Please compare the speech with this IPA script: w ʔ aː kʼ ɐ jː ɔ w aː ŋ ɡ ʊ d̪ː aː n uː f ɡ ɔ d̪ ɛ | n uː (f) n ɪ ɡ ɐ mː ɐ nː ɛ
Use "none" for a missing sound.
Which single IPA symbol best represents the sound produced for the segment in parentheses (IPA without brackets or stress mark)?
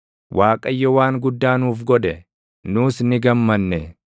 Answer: s